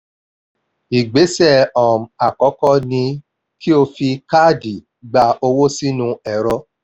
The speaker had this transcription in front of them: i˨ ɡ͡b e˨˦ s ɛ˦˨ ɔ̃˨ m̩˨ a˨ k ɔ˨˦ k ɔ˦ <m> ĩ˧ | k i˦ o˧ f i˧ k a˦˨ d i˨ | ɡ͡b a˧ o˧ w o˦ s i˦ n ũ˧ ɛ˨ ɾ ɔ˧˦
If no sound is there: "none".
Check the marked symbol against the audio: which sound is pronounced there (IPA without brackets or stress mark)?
n